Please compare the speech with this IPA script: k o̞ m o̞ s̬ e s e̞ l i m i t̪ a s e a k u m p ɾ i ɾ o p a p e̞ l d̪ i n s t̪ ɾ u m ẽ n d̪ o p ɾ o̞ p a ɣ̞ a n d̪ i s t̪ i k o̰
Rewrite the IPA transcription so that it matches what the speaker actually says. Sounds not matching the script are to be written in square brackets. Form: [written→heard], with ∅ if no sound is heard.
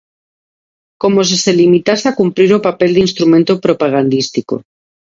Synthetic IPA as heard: k o̞ m o̞ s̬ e s e̞ l i m i t̪ a s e a k u m p ɾ i ɾ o p a p e̞ l d̪ i n s t̪ ɾ u m ẽ n [d̪→t̪] o p ɾ o̞ p a ɣ̞ a n d̪ i s t̪ i k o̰